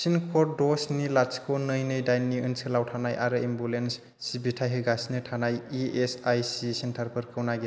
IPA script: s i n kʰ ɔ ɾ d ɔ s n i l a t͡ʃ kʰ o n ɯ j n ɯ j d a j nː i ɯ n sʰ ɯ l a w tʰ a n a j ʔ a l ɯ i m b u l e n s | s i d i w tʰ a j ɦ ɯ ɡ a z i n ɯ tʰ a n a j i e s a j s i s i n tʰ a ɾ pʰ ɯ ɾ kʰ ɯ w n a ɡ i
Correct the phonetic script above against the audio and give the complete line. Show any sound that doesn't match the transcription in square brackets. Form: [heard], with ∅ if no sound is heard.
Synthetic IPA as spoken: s i n kʰ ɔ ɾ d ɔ s n i l a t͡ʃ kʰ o n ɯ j n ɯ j d a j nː i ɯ n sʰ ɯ l a w tʰ a n a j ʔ a [ɾ] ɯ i m b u l e n s | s i [b] i [∅] tʰ a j ɦ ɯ ɡ a [s] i n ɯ tʰ a n a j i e s a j s i s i n tʰ a ɾ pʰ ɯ ɾ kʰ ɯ w n a ɡ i